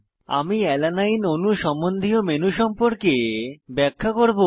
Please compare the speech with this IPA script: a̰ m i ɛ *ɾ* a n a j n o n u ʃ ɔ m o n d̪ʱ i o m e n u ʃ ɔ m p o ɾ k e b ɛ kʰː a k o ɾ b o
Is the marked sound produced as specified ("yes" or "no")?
no